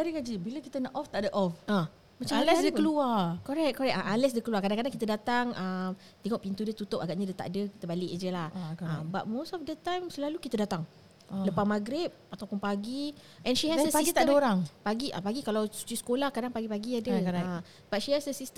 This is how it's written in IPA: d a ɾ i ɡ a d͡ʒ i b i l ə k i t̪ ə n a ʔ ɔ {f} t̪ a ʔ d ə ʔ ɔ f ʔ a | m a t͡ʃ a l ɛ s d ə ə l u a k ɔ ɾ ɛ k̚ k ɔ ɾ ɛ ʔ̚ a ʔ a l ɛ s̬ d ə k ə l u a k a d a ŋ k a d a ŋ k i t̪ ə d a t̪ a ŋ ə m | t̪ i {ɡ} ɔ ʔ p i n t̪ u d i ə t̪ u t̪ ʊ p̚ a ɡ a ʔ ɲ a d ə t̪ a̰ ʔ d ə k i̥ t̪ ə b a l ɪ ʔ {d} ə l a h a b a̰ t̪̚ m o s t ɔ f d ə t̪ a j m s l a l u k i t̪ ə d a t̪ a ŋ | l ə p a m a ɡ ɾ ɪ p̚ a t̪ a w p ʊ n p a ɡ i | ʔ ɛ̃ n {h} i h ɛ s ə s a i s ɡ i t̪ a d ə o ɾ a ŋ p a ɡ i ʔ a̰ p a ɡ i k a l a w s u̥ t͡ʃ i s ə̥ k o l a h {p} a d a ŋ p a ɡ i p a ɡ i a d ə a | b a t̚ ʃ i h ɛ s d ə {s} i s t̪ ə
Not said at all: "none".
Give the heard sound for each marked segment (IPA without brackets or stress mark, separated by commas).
f, ŋ, d͡ʒ, ʃ, k, s